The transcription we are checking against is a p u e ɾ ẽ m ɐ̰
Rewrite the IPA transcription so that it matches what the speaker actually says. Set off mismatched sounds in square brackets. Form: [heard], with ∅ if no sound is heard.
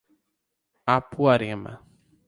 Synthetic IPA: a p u [a] ɾ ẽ m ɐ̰